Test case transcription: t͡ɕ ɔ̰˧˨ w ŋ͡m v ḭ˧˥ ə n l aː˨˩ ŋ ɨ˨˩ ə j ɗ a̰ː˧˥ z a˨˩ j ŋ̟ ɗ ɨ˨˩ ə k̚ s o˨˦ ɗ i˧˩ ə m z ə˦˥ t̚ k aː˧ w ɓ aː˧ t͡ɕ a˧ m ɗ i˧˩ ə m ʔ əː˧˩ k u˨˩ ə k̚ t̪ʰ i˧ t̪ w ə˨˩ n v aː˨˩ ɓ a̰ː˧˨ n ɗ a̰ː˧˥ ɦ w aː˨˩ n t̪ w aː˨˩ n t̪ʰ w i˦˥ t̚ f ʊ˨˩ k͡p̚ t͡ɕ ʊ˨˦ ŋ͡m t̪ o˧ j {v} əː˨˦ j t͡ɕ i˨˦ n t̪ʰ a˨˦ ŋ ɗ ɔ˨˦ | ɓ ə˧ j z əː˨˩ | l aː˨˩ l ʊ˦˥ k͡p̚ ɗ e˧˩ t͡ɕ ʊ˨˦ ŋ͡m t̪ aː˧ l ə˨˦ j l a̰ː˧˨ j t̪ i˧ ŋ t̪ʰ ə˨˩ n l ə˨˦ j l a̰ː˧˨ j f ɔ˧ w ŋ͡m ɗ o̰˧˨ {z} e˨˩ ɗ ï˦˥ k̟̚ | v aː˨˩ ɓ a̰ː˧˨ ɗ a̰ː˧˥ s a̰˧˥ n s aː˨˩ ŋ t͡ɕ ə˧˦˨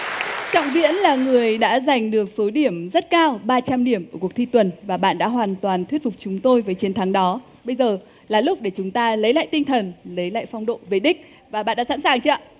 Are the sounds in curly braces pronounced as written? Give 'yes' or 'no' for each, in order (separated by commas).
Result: yes, no